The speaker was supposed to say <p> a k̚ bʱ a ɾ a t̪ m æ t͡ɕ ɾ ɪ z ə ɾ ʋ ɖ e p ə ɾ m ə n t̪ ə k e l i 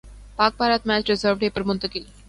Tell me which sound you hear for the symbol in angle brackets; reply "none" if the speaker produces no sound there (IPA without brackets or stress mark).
p